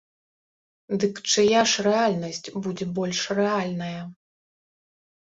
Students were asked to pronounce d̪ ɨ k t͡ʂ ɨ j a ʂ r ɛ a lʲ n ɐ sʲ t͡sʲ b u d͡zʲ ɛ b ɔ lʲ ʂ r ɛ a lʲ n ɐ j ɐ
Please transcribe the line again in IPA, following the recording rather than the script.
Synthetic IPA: d̪ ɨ k t͡ʂ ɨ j a ʂ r ɛ a lʲ n ɐ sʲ t͡sʲ b u d͡zʲ ɛ b ɔ lʲ ʂ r ɛ a lʲ n ɐ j ɐ

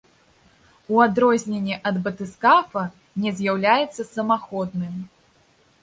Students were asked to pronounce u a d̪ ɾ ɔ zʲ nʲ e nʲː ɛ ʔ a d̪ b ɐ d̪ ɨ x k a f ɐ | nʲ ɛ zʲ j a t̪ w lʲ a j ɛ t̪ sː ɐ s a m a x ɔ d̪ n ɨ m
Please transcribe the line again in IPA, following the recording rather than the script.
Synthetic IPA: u a d̪ ɾ ɔ zʲ nʲ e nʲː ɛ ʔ ɐ d̪ b ɐ t̪ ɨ s k a f ɐ | nʲ ɛ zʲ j a w lʲ a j ɛ t̪ sː ɐ s ɐ m a x ɔ d̪ n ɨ m

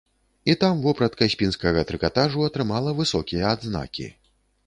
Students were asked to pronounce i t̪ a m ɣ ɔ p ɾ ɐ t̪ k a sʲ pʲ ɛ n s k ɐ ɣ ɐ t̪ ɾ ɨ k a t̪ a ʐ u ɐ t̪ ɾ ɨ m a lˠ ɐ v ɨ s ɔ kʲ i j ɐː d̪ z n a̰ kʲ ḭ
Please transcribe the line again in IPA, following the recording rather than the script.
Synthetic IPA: i t̪ a m v ɔ p ɾ ɐ t̪ k a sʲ pʲ i n s k ɐ ɣ ɐ t̪ ɾ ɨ k a t̪ a ʐ u ɐ t̪ ɾ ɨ m a lˠ ɐ v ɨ s ɔ kʲ i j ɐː d̪ z n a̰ kʲ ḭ

